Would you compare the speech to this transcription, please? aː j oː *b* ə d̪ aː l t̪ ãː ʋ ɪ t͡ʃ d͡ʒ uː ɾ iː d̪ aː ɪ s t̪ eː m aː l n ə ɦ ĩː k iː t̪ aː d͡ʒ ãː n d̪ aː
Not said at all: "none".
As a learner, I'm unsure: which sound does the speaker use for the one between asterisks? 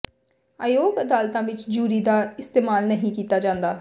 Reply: ɡ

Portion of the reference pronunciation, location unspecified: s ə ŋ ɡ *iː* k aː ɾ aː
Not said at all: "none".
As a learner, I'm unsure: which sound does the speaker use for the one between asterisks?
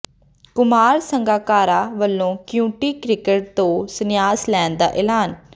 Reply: aː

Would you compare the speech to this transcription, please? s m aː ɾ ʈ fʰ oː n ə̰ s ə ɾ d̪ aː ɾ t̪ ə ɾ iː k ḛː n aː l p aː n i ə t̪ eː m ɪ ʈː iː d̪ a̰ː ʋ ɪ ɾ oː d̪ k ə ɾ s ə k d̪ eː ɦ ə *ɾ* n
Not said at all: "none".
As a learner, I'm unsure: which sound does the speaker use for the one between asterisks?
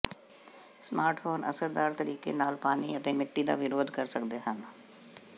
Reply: none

